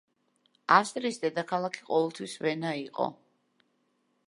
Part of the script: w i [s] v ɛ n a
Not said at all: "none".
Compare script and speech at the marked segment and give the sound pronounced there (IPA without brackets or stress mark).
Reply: s